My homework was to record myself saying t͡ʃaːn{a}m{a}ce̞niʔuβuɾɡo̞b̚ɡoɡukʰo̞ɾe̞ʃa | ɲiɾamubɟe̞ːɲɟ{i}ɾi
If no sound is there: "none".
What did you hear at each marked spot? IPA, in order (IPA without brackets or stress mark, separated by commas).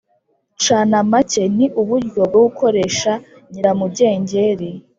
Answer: a, a, e